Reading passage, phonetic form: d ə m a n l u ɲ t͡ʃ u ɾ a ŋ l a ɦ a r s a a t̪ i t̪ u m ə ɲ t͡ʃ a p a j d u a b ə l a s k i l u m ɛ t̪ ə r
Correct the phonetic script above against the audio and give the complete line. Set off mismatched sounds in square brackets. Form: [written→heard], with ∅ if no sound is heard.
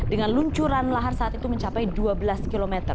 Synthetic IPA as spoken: d ə [m→ŋ] a n l u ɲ t͡ʃ u ɾ a [ŋ→n] l a ɦ a r s a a t̪ i t̪ u m ə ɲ t͡ʃ a p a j d u a b ə l a s k i l [u→o] m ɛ t̪ ə r